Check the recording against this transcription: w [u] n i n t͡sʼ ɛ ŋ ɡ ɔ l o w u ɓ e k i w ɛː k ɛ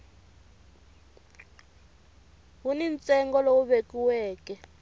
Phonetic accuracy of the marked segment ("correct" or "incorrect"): correct